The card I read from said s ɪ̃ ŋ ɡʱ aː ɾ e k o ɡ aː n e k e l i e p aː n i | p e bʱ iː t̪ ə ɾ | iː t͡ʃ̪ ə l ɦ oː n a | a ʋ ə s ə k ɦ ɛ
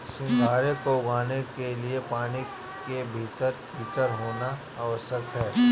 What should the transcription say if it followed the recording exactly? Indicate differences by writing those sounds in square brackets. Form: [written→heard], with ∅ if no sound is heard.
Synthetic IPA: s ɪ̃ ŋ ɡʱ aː ɾ e k o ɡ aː n e k e l i e p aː n i | [p→k] e bʱ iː t̪ ə ɾ | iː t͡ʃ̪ ə [l→ɾ] ɦ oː n a | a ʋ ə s ə k ɦ [ɛ→ɛː]